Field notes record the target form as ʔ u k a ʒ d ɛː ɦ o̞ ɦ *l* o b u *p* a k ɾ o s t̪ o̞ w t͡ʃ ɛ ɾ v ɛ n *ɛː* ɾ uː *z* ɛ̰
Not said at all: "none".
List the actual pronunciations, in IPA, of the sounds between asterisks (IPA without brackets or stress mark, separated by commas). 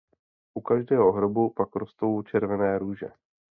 ɾ, p, ɛː, ʒ